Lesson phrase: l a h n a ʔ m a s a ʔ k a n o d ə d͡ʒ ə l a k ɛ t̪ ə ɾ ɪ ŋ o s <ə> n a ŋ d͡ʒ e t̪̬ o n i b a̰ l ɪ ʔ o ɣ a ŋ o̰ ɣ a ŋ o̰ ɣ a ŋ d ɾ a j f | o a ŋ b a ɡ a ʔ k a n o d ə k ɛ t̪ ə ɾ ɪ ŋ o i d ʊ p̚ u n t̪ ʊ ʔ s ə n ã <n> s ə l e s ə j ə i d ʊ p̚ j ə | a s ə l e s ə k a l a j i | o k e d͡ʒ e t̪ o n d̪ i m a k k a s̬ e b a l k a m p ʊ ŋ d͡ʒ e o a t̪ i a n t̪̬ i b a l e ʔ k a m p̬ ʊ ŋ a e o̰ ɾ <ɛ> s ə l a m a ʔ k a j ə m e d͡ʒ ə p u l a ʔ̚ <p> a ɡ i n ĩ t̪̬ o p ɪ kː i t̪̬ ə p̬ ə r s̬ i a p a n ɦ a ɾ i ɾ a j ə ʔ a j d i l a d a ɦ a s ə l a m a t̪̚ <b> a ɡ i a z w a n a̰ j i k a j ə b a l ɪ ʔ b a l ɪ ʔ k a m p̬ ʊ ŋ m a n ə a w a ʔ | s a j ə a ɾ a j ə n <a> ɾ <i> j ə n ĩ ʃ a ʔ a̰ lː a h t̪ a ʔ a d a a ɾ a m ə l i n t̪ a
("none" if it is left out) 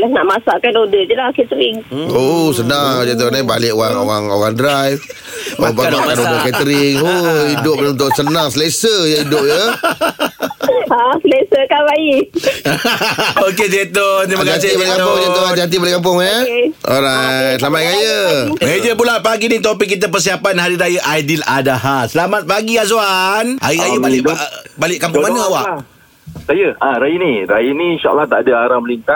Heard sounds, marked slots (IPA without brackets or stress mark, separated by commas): ə, ŋ, a, p, p, i, a